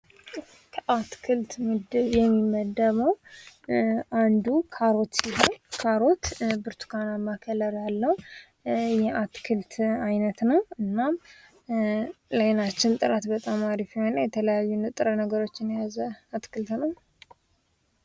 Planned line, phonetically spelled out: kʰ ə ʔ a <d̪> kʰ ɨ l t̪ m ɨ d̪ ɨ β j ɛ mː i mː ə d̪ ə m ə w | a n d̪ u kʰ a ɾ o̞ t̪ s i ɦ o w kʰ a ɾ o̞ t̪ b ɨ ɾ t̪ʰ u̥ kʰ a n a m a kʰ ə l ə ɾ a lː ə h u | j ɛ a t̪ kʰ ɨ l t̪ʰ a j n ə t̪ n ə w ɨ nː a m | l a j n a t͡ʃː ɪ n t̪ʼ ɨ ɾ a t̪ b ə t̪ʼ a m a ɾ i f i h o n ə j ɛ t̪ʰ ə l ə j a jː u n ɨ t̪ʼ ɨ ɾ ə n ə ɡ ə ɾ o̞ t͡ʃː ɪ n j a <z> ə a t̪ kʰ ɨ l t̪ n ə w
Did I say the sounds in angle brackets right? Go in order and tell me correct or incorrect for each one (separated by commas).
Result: incorrect, correct